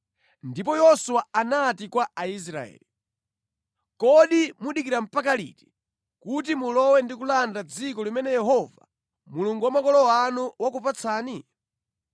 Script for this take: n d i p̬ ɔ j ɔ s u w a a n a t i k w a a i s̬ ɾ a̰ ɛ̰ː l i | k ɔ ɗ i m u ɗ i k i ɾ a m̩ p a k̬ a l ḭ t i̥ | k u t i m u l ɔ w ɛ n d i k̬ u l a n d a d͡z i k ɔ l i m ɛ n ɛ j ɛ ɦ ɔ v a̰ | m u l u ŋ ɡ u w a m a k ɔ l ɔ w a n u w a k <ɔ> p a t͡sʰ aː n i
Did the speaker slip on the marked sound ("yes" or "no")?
yes